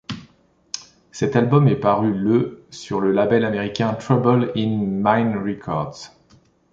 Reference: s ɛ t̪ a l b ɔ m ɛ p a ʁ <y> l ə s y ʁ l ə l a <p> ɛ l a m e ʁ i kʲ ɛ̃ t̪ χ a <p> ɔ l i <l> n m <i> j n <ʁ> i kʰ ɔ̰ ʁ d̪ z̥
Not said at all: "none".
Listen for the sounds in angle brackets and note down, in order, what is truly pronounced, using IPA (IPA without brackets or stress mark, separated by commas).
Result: y, b, b, none, a, ʁ